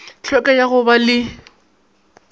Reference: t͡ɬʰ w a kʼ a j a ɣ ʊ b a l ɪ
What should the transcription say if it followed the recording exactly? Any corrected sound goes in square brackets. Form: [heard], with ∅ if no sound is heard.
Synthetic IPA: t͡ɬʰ w [ɛ] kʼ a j a ɣ ʊ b a l ɪ